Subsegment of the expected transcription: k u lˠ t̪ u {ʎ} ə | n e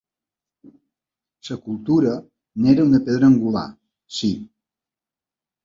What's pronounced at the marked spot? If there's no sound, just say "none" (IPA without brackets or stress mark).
ɾ